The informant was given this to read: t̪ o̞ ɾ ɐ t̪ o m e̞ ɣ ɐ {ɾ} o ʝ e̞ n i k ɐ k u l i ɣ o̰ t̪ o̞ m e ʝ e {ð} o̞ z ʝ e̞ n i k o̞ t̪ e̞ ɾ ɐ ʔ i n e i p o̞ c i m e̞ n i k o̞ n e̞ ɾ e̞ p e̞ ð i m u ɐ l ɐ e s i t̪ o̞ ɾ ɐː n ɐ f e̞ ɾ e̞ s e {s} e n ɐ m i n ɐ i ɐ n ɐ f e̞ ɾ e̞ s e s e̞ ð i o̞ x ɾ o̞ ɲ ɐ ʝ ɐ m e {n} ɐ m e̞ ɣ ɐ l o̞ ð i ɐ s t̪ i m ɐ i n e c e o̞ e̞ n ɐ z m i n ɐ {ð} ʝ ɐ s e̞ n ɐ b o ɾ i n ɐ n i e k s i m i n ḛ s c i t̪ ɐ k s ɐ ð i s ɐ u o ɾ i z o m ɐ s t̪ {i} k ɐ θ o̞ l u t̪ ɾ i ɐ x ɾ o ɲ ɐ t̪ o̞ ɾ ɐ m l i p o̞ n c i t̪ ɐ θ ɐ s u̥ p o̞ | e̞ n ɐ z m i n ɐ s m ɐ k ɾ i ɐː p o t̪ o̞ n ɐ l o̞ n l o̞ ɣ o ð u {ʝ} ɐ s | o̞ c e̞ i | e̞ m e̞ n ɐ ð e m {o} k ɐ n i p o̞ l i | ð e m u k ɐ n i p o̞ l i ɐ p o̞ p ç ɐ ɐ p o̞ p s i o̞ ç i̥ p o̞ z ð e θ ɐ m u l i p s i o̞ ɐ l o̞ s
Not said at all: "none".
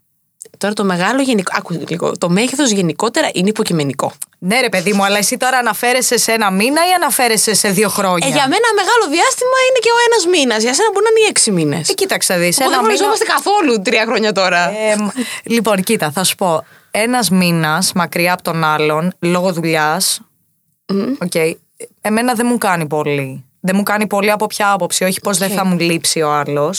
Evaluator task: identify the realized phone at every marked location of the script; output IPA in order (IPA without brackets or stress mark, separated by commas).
l, θ, s, n, z, e, ʎ, u